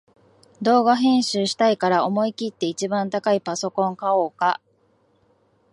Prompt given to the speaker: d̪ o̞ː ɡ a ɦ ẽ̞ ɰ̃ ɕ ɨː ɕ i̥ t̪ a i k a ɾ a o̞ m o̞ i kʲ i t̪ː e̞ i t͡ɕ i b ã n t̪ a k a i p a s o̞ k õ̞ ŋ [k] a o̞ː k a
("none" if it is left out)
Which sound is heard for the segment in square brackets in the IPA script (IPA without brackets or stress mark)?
k